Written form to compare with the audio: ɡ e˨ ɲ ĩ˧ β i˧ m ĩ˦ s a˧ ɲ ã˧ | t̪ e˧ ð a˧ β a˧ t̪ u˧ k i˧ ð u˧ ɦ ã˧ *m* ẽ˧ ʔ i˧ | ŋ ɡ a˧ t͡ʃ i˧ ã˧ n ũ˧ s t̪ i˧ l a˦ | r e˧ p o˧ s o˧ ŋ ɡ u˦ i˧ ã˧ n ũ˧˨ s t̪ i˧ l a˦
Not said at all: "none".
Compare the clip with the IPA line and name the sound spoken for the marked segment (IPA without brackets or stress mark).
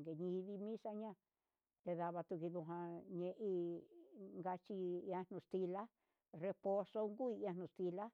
ɲ